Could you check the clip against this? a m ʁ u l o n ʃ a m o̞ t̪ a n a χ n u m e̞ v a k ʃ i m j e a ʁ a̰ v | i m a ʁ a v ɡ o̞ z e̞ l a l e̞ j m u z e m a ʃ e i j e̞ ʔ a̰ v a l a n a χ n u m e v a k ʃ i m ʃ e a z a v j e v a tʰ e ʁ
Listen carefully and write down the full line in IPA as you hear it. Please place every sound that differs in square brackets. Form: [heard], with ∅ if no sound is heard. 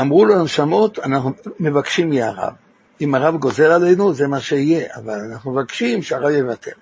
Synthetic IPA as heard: a m ʁ u l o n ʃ a m o̞ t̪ a n a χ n u m e̞ v a k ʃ i m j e a ʁ a̰ v | i m a ʁ a v ɡ o̞ z e̞ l a l e̞ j [n] u z e m a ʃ e i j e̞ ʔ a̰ v a l a n a χ n u m e v a k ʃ i m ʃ e a [ʁ] a v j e v a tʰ e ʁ